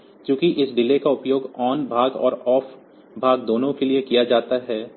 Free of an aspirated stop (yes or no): yes